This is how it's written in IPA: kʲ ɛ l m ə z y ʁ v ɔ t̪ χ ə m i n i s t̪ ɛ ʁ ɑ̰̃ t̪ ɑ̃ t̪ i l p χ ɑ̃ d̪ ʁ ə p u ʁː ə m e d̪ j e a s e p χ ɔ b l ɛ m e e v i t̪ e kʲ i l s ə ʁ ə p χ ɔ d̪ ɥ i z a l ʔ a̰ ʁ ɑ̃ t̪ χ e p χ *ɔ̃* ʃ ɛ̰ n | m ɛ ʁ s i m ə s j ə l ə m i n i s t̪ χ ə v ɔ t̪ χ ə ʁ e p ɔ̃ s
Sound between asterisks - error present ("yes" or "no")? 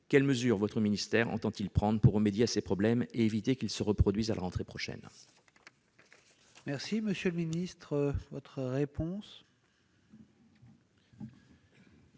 yes